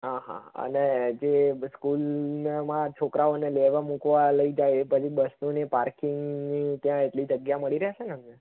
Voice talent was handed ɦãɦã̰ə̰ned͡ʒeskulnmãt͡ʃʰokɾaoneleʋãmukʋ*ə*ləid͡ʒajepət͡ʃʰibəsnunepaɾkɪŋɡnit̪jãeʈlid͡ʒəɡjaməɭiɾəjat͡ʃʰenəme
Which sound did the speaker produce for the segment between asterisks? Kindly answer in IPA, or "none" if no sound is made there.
a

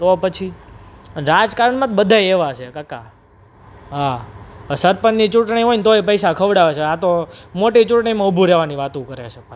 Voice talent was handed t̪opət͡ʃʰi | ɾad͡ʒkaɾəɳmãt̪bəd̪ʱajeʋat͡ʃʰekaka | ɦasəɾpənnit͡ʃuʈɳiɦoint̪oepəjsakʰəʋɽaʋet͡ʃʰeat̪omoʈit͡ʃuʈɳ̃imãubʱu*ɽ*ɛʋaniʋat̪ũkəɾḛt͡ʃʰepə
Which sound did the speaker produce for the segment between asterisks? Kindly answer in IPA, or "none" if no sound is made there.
ɾ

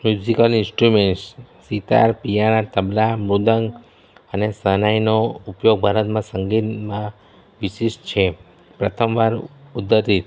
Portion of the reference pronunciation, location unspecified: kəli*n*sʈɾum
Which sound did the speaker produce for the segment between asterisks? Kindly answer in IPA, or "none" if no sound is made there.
n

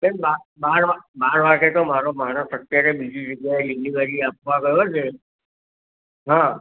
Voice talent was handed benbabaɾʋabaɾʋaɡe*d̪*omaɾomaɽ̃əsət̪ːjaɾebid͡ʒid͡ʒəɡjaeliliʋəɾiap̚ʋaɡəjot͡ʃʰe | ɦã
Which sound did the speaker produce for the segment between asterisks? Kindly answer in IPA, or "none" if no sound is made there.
t̪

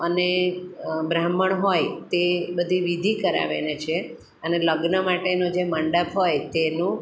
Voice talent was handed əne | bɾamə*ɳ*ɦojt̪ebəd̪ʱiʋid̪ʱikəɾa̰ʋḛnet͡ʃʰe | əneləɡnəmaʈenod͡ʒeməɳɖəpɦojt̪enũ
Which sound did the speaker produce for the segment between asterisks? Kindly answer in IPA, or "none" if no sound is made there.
ɳ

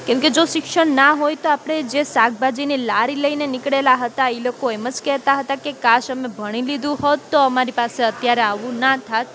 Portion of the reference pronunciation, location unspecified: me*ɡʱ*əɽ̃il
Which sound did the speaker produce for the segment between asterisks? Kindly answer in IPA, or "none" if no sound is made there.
bʱ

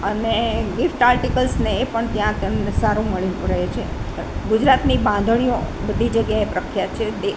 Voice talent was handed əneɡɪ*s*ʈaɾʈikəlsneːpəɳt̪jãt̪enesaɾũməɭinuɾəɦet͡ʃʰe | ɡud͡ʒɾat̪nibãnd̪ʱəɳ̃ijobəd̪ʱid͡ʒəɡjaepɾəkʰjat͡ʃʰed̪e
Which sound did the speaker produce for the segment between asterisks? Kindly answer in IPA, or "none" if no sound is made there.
f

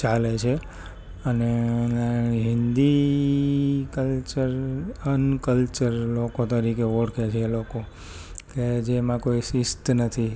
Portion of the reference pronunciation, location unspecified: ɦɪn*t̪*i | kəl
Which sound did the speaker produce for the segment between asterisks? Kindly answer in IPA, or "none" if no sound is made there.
d̪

